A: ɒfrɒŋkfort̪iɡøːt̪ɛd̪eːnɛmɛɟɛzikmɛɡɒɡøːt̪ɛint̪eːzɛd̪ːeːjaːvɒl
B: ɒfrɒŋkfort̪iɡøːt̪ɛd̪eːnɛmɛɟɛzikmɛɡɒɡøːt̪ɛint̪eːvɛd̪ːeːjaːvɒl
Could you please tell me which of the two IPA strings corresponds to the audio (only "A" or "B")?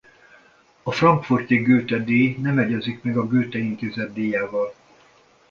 A